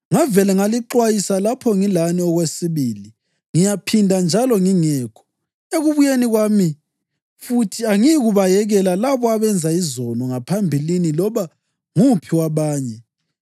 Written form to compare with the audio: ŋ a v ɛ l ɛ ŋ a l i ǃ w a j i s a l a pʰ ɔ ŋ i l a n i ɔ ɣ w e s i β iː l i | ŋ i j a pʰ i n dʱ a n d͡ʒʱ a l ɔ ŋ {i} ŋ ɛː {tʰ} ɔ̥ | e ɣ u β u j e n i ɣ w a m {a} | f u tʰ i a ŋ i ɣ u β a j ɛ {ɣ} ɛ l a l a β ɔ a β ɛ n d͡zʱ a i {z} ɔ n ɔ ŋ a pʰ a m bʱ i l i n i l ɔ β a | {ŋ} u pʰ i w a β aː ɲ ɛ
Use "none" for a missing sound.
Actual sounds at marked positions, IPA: i, kʰ, i, ɣ, z, ŋ

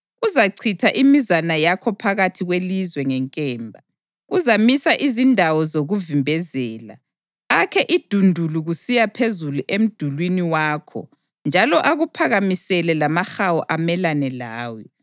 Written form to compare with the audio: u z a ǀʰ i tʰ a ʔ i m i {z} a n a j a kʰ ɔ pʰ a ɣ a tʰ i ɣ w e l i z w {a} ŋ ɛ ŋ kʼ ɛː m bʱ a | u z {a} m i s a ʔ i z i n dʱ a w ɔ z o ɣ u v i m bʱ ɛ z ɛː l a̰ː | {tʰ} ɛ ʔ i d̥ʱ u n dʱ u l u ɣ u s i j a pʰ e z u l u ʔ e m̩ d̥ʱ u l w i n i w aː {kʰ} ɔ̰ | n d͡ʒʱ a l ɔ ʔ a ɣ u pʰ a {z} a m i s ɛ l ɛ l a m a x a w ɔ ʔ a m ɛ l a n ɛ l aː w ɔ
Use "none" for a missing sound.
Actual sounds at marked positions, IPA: z, ɛ, a, kʰ, kʰ, ɣ

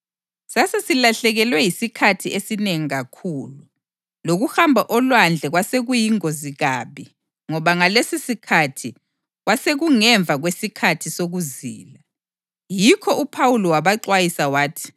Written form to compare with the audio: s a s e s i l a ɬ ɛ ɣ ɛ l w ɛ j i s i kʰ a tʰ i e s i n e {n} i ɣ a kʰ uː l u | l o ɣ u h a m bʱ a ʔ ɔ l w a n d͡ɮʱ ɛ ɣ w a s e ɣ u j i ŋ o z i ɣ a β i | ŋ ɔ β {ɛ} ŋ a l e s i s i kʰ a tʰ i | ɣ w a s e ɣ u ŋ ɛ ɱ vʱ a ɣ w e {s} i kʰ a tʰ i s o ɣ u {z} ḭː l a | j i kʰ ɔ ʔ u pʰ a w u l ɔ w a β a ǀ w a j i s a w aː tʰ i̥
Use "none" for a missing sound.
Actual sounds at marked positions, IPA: ŋ, a, s, z

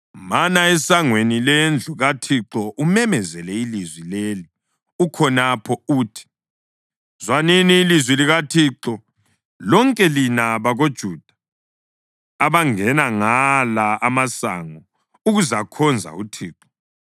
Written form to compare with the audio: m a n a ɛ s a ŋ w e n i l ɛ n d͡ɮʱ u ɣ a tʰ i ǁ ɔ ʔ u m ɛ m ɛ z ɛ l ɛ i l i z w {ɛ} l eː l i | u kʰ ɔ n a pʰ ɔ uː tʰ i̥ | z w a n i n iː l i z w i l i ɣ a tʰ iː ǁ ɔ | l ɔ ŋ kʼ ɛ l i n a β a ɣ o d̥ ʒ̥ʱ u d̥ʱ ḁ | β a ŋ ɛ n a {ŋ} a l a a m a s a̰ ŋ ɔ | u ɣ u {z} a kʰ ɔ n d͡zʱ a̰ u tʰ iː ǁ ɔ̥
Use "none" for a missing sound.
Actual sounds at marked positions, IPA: i, ŋ, z

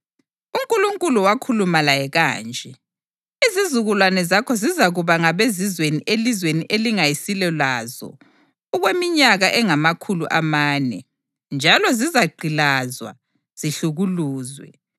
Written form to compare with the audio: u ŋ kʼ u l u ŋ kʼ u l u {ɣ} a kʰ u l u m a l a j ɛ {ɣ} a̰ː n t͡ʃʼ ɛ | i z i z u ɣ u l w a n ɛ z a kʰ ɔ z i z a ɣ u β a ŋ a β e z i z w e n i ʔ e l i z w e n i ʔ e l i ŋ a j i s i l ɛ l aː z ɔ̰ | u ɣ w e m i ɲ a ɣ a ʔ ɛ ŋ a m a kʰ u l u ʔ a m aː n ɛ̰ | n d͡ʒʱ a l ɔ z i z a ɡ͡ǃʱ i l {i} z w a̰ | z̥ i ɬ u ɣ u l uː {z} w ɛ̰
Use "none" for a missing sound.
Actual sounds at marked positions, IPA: w, ɣ, a, z

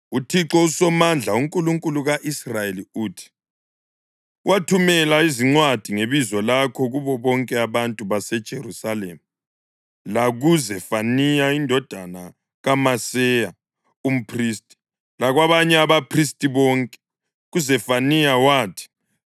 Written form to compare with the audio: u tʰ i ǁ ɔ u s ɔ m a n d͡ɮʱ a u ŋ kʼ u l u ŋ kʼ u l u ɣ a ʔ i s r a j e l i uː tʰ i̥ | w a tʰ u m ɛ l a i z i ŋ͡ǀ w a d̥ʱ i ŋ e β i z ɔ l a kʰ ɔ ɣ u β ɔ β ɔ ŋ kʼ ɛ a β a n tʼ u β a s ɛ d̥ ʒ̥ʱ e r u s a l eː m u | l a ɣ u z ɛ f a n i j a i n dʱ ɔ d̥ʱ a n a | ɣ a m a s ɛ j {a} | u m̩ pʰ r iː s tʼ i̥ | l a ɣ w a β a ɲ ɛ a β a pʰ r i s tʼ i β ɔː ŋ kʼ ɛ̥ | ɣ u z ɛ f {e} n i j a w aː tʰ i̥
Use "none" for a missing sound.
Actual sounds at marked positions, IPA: a, a

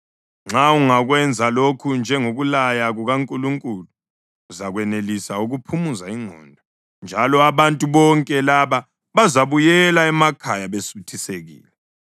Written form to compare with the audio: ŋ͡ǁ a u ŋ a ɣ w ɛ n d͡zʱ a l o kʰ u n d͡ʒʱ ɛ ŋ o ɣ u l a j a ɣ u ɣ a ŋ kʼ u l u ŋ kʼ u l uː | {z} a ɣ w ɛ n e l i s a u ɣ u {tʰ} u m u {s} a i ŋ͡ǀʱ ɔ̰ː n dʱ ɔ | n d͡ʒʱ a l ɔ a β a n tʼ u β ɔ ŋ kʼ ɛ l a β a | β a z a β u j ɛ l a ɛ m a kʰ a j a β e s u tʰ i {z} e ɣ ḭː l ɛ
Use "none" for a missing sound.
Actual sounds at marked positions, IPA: z, pʰ, z, s

